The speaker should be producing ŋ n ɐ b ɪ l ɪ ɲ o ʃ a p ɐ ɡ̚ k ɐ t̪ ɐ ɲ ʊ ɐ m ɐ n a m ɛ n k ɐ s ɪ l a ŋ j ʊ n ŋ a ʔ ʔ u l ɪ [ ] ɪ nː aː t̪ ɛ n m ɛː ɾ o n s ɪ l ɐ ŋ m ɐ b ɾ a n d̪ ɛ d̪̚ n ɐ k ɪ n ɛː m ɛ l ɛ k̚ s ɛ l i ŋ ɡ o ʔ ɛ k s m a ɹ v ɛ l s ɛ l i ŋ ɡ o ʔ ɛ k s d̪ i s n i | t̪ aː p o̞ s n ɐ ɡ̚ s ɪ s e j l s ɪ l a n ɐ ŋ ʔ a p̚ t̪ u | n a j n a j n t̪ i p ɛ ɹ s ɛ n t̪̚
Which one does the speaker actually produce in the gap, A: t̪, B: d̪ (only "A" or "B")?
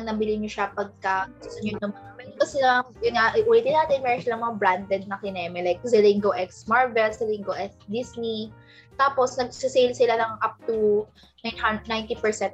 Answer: A